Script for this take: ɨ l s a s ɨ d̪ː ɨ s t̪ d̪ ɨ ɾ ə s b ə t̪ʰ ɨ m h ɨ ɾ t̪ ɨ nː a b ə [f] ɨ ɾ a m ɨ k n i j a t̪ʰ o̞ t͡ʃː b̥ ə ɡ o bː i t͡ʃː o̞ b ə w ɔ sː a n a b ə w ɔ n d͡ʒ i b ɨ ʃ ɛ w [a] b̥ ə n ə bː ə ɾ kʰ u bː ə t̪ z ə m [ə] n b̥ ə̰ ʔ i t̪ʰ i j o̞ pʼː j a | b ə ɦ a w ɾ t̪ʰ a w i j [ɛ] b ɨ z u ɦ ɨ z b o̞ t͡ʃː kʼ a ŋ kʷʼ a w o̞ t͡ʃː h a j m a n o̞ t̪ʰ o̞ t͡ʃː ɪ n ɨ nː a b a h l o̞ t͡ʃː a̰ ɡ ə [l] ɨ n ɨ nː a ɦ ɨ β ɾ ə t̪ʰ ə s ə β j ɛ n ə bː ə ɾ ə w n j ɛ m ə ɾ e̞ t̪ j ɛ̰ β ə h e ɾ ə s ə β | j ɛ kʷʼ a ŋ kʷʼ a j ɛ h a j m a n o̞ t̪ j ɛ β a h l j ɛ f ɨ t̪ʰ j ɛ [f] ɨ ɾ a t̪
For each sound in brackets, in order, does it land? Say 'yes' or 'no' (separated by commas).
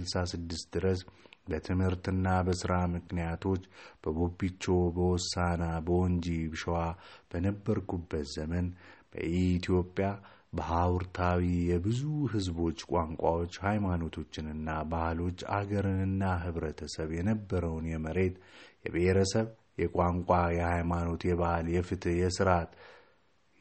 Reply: no, yes, yes, yes, no, no